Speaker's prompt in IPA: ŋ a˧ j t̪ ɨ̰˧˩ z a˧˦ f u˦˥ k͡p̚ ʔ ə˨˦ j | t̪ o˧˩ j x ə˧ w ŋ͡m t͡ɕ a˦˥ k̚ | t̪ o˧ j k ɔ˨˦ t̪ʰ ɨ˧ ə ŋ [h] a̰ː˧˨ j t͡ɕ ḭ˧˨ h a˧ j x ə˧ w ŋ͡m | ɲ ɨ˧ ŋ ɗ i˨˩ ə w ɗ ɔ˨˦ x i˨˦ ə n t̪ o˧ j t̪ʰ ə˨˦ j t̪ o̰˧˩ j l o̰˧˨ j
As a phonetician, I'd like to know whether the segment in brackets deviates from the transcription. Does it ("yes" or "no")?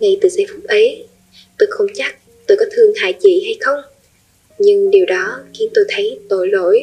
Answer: no